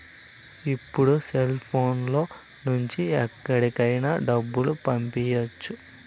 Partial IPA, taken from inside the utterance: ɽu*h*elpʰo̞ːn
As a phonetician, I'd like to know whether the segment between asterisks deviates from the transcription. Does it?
yes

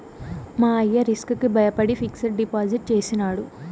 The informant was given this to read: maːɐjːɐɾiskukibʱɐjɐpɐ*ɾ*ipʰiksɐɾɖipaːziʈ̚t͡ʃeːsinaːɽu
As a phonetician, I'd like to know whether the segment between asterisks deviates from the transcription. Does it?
yes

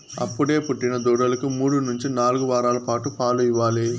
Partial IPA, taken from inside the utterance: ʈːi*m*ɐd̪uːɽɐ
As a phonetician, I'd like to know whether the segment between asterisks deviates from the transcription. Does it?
yes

